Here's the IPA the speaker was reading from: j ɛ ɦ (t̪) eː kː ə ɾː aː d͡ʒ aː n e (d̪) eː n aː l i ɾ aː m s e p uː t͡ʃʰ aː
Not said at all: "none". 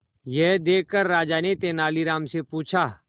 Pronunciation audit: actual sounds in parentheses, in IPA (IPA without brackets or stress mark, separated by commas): d̪, t̪